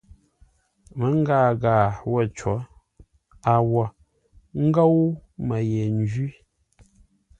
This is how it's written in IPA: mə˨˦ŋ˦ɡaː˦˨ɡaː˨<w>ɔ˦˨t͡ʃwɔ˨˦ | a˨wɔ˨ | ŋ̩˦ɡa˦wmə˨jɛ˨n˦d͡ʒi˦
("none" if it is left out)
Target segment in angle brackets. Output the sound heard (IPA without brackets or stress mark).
w